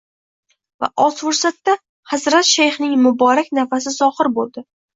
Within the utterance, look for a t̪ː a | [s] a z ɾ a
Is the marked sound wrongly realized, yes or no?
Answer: yes